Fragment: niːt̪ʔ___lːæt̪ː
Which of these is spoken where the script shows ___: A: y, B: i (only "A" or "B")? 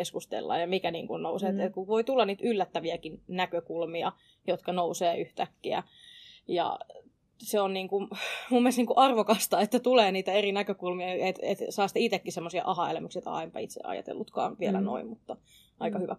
A